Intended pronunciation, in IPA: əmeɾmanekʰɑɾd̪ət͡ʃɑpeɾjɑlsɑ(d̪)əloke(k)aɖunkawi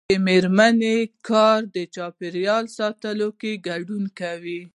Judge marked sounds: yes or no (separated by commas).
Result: no, no